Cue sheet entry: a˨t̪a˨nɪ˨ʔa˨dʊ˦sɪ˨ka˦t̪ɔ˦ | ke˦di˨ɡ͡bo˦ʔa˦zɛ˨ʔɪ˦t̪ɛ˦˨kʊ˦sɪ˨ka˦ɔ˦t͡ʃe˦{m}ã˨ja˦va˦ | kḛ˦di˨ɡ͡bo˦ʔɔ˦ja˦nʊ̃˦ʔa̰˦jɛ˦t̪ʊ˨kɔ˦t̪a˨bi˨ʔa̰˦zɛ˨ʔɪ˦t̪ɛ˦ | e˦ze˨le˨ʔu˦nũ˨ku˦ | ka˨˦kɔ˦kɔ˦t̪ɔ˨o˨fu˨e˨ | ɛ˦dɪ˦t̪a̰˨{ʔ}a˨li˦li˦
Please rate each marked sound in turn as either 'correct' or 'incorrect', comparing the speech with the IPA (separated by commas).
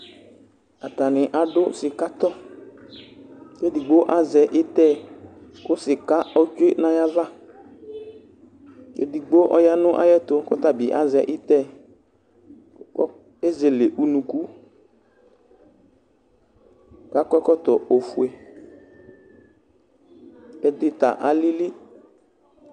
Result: incorrect, correct